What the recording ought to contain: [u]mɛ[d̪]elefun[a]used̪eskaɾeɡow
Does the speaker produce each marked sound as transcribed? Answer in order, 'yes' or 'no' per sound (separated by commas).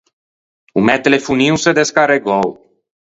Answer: yes, no, no